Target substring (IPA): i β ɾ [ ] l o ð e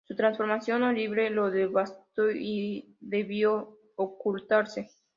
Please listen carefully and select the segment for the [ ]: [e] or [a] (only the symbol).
e